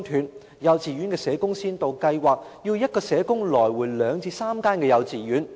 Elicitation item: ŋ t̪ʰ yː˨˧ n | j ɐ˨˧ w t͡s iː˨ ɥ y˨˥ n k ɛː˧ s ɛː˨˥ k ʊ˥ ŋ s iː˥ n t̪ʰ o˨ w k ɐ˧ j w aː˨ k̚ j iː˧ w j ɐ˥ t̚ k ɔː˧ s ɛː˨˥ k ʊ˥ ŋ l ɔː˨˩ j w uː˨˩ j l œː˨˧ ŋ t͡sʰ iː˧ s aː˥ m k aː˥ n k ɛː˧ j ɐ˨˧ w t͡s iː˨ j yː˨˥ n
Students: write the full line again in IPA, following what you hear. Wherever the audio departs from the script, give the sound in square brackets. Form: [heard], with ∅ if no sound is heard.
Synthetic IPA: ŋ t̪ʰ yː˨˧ n | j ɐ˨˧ w t͡s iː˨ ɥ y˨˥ n k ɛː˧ s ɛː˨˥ k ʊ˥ ŋ s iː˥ n [t̪] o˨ w k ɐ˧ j w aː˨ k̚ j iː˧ w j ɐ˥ t̚ k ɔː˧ s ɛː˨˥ k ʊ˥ ŋ l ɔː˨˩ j w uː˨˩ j l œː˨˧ ŋ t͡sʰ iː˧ s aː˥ m k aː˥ n k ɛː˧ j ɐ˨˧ w t͡s iː˨ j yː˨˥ n